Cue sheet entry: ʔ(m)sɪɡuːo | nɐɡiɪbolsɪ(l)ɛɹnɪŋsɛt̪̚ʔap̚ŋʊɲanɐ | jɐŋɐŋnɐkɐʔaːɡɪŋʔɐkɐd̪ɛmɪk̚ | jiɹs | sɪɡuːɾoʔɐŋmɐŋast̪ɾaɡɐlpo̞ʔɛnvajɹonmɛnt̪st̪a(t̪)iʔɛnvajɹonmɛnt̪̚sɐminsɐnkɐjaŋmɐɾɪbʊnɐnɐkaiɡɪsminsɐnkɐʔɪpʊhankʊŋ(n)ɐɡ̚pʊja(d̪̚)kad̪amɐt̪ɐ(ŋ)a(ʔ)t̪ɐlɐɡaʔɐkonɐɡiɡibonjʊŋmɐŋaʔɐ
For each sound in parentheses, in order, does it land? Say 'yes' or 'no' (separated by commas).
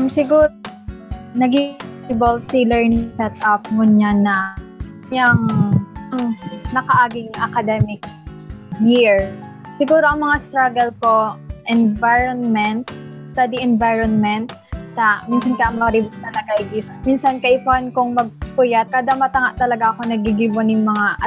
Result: yes, yes, no, no, no, yes, yes